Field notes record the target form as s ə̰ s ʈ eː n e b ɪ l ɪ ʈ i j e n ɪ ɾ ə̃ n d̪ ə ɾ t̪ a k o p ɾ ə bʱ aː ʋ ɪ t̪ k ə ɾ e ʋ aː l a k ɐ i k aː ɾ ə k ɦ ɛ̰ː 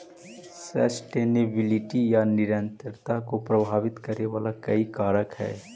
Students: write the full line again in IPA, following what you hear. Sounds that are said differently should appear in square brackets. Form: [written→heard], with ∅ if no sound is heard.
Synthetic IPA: s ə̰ s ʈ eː n e b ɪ l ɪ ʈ i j [e→a] n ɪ ɾ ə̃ n [d̪→t̪] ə ɾ t̪ a k o p ɾ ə bʱ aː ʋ ɪ t̪ k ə ɾ e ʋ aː l a k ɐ i k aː ɾ ə k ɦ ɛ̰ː